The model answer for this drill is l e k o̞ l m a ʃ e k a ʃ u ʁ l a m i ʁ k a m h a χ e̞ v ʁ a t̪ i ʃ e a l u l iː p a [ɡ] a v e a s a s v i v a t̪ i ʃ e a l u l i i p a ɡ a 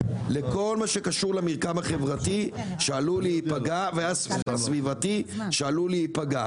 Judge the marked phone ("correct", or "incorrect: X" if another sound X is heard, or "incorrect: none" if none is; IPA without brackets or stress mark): correct